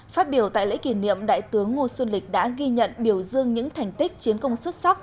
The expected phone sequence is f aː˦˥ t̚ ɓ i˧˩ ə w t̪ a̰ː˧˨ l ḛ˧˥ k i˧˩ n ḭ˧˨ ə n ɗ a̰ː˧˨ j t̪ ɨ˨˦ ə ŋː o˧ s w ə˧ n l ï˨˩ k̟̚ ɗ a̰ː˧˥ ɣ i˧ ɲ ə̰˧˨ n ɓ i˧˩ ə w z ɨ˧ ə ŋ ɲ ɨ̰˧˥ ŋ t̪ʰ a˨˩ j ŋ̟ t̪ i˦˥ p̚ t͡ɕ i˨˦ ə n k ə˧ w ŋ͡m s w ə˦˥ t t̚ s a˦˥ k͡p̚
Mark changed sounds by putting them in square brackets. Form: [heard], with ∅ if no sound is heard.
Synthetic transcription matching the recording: f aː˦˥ t̚ ɓ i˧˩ ə w t̪ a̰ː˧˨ l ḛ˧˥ k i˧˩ n ḭ˧˨ ə [m] ɗ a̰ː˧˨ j t̪ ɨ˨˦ ə ŋː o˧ s w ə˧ n l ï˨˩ k̟̚ ɗ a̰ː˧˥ ɣ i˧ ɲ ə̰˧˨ n ɓ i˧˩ ə w z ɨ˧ ə ŋ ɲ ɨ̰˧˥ ŋ t̪ʰ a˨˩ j ŋ̟ t̪ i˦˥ [k̚] t͡ɕ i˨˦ ə n k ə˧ w ŋ͡m s w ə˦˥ t t̚ s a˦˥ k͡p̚

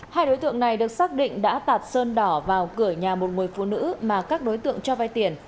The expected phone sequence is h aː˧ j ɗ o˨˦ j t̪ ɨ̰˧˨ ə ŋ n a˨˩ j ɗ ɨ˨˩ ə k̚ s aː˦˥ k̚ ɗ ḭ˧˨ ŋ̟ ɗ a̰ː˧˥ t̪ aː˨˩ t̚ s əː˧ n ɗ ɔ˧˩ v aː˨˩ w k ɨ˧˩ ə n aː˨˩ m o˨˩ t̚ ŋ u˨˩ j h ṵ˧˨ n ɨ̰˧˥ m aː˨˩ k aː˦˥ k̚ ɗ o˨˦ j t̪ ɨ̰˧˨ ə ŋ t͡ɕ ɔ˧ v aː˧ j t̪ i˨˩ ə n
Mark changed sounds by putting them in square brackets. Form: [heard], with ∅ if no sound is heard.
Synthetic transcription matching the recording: h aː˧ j ɗ o˨˦ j t̪ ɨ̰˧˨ ə ŋ n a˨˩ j ɗ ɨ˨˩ ə k̚ s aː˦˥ k̚ ɗ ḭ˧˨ ŋ̟ ɗ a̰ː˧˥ t̪ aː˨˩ t̚ s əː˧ n ɗ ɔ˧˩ v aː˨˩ w k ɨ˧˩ ə [ɲ] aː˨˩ m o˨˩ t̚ ŋ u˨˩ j [f] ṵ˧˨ n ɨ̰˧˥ m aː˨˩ k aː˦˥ k̚ ɗ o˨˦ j t̪ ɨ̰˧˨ ə ŋ t͡ɕ ɔ˧ v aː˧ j t̪ i˨˩ ə n

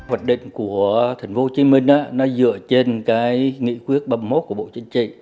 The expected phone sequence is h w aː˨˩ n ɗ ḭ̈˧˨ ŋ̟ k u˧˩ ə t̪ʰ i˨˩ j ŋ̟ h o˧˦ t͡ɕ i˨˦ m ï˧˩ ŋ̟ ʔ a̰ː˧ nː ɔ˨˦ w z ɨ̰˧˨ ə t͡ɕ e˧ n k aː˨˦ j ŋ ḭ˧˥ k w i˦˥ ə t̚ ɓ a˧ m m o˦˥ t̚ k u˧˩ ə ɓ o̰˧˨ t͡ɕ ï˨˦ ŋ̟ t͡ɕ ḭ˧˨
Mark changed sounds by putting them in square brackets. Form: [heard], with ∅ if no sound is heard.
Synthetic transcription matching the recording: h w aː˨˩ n ɗ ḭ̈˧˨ ŋ̟ k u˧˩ ə t̪ʰ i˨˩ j ŋ̟ [f] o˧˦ t͡ɕ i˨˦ m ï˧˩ ŋ̟ ʔ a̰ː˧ [n] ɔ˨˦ [∅] z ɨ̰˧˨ ə t͡ɕ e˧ n k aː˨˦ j ŋ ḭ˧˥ k w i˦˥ ə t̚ ɓ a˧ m m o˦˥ t̚ k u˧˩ ə ɓ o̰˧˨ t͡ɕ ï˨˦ ŋ̟ t͡ɕ ḭ˧˨

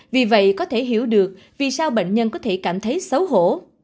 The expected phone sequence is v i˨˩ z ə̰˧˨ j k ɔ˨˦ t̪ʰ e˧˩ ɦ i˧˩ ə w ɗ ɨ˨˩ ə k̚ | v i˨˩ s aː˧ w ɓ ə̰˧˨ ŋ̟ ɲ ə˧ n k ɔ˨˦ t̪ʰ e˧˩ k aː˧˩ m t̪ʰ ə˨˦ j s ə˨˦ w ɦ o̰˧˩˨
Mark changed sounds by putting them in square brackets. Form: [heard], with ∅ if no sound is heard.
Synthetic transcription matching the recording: v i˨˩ [v] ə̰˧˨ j k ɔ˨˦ t̪ʰ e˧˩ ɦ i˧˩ ə w ɗ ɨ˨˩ ə k̚ | v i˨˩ s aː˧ w ɓ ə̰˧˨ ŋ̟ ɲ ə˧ n k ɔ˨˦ t̪ʰ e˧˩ k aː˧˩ m t̪ʰ ə˨˦ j s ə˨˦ w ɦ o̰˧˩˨

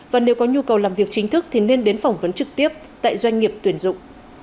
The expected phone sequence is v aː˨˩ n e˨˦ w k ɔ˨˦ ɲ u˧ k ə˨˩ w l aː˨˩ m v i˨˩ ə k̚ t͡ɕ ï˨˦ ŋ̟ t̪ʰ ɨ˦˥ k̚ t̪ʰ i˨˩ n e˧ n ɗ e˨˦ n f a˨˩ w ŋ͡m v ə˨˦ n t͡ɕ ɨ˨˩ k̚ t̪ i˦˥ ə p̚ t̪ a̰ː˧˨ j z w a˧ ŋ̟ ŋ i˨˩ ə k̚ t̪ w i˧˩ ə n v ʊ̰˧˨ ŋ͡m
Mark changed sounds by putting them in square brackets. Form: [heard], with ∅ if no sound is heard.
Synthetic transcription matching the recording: v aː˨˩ n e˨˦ w k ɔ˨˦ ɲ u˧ k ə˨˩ w l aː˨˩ m v i˨˩ ə k̚ t͡ɕ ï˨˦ ŋ̟ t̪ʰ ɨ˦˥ k̚ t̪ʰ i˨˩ n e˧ n ɗ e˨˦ n f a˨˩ w ŋ͡m v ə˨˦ n t͡ɕ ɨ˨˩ k̚ t̪ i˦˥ ə p̚ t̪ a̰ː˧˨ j z w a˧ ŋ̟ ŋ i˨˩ ə [p̚] t̪ w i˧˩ ə n [z] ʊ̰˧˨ ŋ͡m

